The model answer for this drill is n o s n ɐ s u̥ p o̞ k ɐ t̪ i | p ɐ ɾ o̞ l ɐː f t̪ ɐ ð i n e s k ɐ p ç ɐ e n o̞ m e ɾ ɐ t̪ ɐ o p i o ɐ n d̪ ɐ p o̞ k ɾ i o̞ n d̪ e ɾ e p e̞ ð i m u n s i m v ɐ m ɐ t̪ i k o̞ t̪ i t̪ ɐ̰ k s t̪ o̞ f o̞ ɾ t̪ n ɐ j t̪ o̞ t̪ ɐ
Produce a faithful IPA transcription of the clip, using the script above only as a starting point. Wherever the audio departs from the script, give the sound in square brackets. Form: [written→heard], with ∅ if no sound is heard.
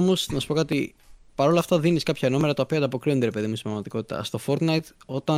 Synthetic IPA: [n→m] o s n ɐ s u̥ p o̞ k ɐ t̪ i | p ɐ ɾ o̞ l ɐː f t̪ ɐ ð i n [e→i] s k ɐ p ç ɐ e n o̞ m e ɾ ɐ t̪ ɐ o p i o ɐ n d̪ ɐ p o̞ k ɾ i o̞ n d̪ e ɾ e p e̞ ð i m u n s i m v ɐ m ɐ t̪ i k o̞ t̪ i t̪ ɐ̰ [k→∅] s t̪ o̞ f o̞ ɾ t̪ n ɐ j t̪ o̞ t̪ ɐ